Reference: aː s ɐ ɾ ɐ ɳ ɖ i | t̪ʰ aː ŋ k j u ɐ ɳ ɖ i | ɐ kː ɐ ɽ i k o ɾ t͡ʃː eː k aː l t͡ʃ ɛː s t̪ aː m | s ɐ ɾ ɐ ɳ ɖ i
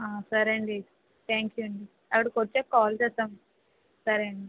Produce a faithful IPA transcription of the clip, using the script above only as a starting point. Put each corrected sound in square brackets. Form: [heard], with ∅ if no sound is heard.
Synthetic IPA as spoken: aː s ɐ ɾ ɐ ɳ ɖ i | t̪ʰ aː ŋ k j u ɐ ɳ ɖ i | ɐ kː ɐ ɽ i k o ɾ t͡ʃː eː k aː l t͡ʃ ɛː s t̪ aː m | s ɐ ɾ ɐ ɳ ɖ i